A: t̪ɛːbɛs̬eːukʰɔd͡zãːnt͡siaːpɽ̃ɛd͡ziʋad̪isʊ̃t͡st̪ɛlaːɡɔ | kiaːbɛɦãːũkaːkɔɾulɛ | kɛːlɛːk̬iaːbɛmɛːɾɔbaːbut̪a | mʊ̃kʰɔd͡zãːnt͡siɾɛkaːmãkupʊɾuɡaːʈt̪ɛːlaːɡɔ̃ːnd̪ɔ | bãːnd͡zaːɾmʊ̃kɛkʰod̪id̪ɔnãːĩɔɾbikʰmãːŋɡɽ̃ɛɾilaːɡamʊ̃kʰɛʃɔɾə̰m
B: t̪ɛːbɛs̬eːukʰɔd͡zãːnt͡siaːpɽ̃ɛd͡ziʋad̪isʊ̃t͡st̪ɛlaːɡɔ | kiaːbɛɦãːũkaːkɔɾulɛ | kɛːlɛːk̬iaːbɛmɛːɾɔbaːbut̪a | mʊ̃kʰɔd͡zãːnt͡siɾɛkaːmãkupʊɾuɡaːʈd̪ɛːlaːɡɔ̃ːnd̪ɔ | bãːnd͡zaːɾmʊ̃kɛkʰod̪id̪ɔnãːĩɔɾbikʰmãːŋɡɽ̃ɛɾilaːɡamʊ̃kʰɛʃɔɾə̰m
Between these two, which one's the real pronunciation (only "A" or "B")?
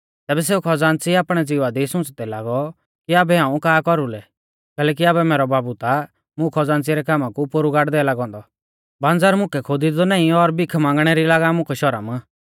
B